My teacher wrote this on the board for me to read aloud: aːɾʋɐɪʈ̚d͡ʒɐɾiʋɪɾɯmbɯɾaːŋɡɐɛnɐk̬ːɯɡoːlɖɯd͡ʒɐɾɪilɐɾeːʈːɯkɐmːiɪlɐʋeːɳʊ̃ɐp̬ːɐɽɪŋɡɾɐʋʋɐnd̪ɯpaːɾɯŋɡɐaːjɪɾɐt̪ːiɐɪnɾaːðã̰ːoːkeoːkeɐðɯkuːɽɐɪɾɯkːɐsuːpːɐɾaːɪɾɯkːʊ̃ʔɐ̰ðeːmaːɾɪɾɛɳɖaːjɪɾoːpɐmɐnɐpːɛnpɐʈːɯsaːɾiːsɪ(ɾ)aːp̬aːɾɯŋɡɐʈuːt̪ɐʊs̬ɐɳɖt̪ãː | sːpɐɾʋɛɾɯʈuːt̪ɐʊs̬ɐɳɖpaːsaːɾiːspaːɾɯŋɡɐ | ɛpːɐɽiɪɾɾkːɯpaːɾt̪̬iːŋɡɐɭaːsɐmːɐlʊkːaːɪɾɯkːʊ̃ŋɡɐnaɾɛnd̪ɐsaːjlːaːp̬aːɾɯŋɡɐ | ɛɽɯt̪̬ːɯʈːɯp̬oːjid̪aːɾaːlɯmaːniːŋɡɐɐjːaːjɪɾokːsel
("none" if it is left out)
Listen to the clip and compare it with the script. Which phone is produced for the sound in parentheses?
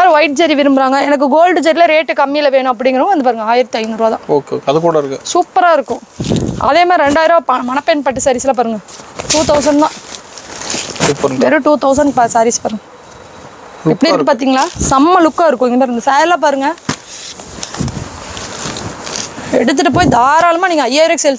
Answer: l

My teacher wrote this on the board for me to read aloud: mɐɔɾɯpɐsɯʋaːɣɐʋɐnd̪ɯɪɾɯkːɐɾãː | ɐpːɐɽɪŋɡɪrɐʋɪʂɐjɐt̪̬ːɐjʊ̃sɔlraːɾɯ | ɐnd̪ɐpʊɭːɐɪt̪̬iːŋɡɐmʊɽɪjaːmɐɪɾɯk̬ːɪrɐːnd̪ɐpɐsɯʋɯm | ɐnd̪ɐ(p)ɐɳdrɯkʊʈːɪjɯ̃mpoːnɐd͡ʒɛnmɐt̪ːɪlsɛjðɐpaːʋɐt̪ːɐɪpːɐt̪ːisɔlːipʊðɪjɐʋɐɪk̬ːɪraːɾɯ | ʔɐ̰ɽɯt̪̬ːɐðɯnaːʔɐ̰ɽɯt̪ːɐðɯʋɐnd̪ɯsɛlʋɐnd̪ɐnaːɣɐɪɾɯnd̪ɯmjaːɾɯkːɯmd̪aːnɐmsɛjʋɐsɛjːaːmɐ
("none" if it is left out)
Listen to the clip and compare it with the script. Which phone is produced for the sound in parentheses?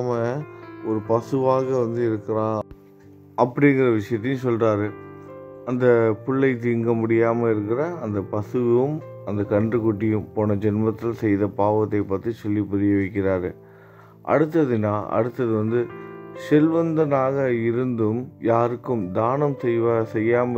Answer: k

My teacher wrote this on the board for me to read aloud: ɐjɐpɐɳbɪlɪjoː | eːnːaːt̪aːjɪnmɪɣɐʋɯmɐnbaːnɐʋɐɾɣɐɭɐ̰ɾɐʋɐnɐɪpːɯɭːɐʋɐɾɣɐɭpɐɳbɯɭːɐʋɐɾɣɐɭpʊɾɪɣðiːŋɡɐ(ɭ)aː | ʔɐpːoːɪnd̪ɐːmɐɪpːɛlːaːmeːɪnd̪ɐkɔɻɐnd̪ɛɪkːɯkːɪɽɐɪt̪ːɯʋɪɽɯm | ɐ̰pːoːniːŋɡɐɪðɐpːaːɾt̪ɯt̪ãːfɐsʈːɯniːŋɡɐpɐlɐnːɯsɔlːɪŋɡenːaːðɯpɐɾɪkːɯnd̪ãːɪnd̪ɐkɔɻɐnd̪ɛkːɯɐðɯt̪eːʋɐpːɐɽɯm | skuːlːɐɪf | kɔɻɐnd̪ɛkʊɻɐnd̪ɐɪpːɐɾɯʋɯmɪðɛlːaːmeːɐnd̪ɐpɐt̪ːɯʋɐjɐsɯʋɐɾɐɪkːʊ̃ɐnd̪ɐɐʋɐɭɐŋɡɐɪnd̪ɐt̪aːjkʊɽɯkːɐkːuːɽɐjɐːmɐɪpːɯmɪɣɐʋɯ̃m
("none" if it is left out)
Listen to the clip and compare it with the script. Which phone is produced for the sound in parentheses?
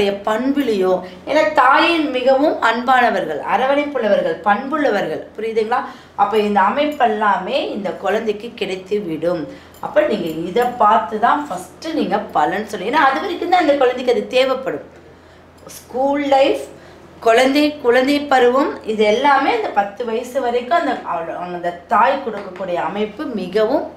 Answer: ɭ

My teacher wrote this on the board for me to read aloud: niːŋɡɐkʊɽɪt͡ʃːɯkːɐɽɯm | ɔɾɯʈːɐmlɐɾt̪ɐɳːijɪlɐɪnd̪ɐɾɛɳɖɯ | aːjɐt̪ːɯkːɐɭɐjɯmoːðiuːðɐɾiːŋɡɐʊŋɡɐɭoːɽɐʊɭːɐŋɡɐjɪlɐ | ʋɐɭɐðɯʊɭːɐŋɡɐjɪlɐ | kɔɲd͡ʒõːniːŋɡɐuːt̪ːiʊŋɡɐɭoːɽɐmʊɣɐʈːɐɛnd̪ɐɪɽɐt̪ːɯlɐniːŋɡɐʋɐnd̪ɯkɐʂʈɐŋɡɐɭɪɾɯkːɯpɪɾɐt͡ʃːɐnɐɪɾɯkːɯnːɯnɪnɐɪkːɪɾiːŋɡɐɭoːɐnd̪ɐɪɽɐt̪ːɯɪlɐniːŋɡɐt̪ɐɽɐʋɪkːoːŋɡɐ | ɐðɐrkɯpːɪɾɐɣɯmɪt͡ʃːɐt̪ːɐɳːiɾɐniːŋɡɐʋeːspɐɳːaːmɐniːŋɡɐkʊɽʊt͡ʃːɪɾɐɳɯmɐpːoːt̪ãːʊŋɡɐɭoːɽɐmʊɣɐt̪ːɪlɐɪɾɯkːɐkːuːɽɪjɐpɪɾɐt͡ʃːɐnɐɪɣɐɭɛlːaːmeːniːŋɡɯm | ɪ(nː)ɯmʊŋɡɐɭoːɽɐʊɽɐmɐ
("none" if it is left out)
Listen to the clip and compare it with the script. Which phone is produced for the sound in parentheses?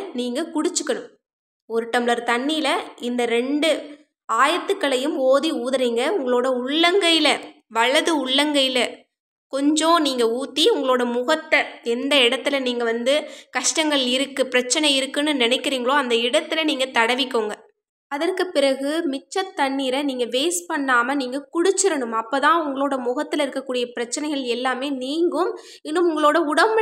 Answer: nː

